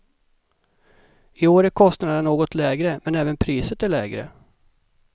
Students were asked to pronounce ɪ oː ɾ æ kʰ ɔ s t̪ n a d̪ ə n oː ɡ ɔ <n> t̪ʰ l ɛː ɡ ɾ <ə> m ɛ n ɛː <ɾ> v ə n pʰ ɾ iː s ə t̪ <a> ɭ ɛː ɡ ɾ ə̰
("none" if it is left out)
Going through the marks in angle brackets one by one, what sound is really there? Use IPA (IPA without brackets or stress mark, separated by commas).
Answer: none, ə, none, æ